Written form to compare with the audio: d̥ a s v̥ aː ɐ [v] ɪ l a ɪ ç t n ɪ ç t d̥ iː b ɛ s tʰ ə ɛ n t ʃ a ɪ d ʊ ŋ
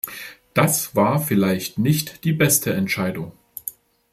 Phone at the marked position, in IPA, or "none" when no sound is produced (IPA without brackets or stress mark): f